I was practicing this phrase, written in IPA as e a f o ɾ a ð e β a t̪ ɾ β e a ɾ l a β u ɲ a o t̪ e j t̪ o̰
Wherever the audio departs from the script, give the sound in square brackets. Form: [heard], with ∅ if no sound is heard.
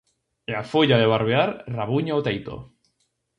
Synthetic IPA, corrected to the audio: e a f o [ʎ] a ð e β a [∅] ɾ β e a ɾ [r] a β u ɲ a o t̪ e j t̪ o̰